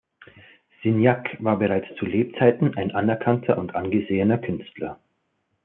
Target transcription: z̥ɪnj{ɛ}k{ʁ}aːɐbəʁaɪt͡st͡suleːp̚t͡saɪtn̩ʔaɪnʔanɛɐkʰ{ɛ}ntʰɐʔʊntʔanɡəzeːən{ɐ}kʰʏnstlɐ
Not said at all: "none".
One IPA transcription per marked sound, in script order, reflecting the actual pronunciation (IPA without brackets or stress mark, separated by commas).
a, v, a, ɐ